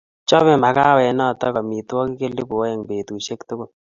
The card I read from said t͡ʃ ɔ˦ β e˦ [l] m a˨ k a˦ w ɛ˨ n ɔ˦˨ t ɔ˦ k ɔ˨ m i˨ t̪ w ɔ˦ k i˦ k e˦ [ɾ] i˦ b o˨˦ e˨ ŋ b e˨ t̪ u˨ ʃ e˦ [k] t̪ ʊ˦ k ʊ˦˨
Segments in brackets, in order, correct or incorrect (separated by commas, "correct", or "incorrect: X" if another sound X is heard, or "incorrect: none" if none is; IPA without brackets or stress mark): incorrect: none, incorrect: l, correct